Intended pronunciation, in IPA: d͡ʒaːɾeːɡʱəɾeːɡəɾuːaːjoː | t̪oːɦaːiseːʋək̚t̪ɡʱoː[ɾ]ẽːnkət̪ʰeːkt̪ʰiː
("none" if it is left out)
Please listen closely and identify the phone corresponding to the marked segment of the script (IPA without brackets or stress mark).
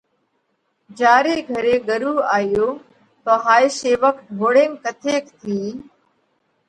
ɽ